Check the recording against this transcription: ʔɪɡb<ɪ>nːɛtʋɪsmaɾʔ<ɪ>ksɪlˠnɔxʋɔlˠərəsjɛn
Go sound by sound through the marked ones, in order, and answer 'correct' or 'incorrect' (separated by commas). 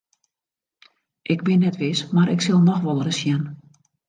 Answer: correct, correct